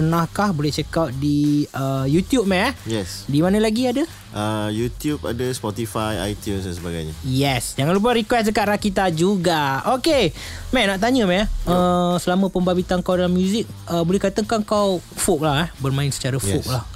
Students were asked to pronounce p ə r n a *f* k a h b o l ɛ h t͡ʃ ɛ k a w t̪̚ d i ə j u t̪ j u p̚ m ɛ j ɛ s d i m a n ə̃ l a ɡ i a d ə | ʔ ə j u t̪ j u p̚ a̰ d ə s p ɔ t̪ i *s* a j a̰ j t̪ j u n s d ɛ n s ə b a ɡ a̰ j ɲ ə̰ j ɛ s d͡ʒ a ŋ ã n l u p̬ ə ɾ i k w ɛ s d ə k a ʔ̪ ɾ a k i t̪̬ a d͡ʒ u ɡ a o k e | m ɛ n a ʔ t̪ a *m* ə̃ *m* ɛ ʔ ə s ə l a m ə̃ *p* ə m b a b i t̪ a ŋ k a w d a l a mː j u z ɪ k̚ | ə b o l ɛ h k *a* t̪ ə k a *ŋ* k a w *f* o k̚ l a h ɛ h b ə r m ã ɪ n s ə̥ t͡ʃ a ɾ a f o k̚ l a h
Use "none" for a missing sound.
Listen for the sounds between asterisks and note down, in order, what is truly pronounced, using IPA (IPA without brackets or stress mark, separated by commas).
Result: h, f, ɲ, m, p, a, ŋ, f